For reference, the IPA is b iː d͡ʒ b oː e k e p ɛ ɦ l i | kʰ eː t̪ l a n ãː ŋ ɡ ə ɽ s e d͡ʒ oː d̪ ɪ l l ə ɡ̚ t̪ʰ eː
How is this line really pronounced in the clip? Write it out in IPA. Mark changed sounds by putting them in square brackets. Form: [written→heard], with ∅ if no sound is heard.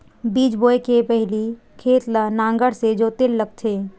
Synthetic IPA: b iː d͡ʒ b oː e k e p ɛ ɦ l i | kʰ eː t̪ l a n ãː ŋ ɡ ə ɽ s e d͡ʒ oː [d̪→t̪] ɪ l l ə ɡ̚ t̪ʰ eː